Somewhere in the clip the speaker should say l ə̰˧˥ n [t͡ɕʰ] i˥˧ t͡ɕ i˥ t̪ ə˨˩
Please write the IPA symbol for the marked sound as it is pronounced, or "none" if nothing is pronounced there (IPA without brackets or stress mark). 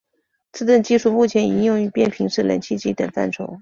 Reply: t͡ɕʰ